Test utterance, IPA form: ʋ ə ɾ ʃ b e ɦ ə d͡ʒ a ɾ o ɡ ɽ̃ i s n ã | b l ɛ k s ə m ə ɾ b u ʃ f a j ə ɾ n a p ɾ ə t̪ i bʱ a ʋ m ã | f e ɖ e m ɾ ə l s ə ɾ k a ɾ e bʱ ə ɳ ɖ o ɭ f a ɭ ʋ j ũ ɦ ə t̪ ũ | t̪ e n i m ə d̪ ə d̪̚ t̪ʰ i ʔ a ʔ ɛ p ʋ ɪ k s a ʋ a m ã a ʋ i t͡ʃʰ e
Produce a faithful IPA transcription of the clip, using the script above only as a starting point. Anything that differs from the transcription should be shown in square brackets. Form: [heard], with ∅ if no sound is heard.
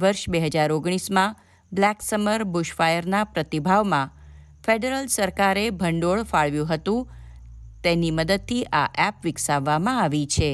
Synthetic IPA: ʋ ə ɾ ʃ b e ɦ ə d͡ʒ a ɾ o ɡ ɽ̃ i s [m] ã | b l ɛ k s ə m ə ɾ b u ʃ f a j ə ɾ n a p ɾ ə t̪ i bʱ a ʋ m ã | f e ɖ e [∅] ɾ ə l s ə ɾ k a ɾ e bʱ ə ɳ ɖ o ɭ f a ɭ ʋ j ũ ɦ ə t̪ ũ | t̪ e n i m ə d̪ ə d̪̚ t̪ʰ i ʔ a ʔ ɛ p ʋ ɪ k s a [ʋː] a m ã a ʋ i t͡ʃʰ e